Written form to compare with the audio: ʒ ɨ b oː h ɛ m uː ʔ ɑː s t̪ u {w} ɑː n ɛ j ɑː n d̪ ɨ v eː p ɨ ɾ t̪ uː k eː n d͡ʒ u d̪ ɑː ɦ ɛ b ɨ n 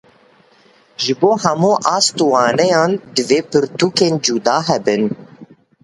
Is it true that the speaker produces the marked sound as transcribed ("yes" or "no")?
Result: yes